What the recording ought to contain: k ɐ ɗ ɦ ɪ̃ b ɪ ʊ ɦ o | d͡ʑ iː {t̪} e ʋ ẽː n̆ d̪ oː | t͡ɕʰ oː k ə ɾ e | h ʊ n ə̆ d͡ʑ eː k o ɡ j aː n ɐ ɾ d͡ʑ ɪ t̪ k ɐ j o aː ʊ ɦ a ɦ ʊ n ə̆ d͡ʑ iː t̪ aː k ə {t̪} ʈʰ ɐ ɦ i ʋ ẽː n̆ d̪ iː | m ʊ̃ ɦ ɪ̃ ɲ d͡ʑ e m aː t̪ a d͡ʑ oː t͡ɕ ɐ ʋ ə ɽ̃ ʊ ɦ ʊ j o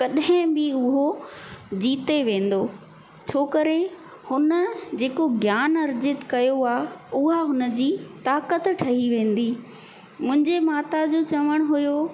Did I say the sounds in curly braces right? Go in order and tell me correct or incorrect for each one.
correct, correct

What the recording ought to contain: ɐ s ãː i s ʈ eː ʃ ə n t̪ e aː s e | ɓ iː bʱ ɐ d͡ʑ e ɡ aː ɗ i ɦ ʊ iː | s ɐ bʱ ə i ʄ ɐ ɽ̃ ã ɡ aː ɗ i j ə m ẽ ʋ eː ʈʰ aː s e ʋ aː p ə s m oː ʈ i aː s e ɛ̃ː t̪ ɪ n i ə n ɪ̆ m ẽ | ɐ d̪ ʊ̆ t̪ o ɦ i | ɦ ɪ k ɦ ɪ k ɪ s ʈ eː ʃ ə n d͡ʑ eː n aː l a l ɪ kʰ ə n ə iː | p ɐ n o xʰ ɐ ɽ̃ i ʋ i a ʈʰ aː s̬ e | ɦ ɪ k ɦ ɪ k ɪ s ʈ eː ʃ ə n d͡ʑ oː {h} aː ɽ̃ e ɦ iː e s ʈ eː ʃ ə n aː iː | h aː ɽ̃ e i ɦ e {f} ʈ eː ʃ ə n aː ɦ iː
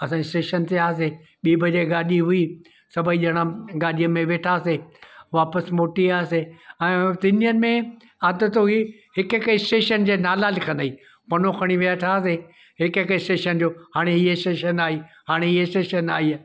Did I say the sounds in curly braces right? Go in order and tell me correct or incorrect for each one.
correct, incorrect

